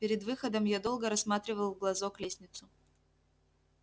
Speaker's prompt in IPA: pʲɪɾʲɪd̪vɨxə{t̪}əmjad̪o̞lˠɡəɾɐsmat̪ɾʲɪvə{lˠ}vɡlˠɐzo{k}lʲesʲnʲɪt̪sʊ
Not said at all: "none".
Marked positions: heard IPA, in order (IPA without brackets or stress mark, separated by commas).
d̪, lˠ, k